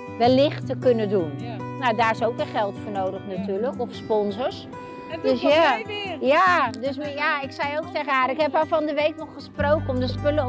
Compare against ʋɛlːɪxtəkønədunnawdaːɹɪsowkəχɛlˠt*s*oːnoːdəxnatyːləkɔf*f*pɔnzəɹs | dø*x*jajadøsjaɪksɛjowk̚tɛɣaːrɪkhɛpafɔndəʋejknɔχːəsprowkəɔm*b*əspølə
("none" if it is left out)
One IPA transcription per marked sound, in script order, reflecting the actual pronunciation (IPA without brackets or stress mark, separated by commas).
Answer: f, s, s, d